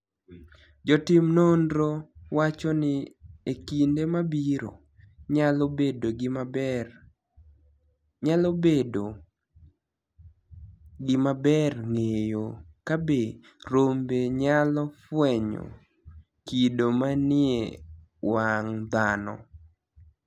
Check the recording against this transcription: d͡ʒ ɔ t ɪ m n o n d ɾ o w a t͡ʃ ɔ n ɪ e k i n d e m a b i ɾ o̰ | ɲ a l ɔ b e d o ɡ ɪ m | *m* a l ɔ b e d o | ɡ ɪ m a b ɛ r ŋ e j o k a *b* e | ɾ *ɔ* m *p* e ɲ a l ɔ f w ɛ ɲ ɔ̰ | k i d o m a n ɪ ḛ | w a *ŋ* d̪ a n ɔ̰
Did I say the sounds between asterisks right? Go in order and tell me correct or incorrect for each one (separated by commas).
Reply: incorrect, correct, incorrect, incorrect, correct